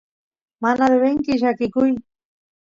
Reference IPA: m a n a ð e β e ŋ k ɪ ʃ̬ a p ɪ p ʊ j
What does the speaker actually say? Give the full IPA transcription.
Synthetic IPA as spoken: m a n a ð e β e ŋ k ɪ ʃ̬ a k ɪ k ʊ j